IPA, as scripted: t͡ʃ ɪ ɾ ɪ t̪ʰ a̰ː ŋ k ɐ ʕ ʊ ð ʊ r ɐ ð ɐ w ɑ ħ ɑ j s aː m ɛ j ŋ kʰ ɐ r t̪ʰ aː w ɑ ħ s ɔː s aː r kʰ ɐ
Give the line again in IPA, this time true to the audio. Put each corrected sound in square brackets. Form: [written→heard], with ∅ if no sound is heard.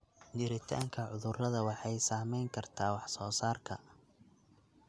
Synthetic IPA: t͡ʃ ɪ ɾ ɪ t̪ʰ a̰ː ŋ [k→kʰ] ɐ ʕ ʊ ð ʊ r ɐ ð ɐ w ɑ ħ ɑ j s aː m ɛ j ŋ kʰ ɐ r t̪ʰ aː w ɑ ħ s ɔː s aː r kʰ ɐ